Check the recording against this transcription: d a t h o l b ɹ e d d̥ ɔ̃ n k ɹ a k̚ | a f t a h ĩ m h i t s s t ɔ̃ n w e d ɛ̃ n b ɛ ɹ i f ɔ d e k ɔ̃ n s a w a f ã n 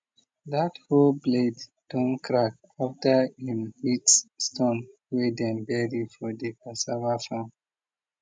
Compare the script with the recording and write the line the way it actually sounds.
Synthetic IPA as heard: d a t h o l b l e d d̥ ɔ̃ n k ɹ a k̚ | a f t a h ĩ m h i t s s t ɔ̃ n w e d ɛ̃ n b ɛ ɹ i f ɔ d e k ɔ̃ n s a v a f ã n